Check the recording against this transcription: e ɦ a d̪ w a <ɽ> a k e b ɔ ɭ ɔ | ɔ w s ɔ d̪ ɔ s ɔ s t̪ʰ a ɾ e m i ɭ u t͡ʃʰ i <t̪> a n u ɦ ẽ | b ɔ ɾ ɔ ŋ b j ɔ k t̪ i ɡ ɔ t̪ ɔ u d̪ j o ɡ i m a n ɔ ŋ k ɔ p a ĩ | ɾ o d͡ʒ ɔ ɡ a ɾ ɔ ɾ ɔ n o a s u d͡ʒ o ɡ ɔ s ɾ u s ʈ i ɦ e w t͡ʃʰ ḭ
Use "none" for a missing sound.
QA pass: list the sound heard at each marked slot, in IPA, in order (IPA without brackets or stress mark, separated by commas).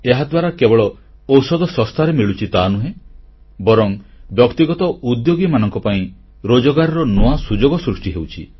ɾ, t̪